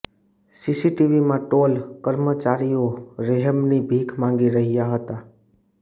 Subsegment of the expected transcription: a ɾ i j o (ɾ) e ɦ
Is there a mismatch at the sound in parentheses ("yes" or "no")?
no